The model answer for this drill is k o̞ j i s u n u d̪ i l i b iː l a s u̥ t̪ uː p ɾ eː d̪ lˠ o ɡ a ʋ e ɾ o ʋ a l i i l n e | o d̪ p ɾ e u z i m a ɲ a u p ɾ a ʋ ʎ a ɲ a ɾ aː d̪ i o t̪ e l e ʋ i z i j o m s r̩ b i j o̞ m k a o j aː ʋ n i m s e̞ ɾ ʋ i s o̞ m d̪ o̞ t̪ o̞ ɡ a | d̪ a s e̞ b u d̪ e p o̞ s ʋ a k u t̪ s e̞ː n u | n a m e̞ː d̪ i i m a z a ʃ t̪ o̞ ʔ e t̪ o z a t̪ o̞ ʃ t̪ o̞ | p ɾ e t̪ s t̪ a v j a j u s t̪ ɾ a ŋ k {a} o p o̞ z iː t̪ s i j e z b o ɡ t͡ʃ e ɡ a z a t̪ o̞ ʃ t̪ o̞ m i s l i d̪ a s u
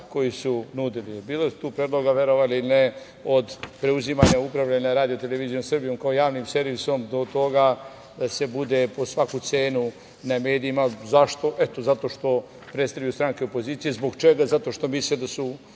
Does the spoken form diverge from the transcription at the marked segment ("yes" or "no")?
yes